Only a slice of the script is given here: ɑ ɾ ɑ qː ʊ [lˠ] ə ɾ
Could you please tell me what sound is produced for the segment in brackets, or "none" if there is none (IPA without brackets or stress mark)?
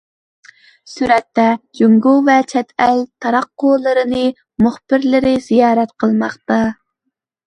lˠ